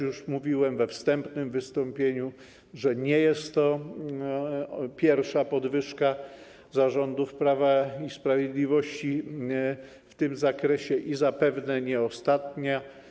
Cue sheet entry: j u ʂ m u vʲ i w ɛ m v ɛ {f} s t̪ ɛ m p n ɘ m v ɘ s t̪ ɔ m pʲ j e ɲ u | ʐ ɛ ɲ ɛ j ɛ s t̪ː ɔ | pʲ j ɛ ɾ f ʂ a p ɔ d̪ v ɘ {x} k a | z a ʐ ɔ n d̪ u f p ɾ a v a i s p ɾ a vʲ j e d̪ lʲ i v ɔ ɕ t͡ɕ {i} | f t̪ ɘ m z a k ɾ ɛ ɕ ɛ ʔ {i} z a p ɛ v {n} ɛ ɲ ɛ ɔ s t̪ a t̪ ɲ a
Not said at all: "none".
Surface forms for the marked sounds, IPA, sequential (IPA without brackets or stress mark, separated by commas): f, ʂ, i, i, n